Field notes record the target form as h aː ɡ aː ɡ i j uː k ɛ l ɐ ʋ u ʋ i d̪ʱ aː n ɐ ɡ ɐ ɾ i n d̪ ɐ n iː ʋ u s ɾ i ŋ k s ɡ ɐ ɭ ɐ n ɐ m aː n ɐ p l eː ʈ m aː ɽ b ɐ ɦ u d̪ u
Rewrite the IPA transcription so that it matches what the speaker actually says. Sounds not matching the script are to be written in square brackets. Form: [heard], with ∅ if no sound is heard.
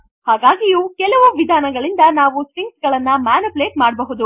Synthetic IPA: h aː ɡ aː ɡ i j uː k ɛ l ɐ ʋ u ʋ i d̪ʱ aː n ɐ ɡ ɐ [ɭ] i n d̪ ɐ n [aː] ʋ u s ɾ i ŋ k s ɡ ɐ ɭ ɐ [nː] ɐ m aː n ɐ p l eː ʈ m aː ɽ b ɐ ɦ u d̪ u